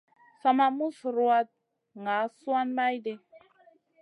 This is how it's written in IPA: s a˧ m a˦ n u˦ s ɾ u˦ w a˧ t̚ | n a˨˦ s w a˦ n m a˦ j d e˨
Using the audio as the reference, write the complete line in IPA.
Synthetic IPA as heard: s a˧ m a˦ m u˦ s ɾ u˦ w a˧ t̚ | ŋ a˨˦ s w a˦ n m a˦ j d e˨